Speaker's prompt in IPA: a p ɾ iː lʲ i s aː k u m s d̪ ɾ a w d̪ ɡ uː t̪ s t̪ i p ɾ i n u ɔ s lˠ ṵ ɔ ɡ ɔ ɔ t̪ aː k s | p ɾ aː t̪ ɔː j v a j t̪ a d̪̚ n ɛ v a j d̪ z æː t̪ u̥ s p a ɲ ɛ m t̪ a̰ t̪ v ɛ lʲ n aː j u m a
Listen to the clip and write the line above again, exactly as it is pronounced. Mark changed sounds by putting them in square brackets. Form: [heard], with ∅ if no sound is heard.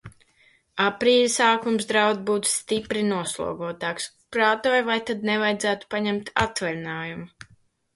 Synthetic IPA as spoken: a p ɾ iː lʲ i s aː k u m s d̪ ɾ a w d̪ [b] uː t̪ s t̪ i p ɾ i n u ɔ s lˠ ṵ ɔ ɡ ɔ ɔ t̪ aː k s | p ɾ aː t̪ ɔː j v a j t̪ a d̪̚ n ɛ v a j d̪ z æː t̪ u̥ [∅] p a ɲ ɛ m t̪ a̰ t̪ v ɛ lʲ n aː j u m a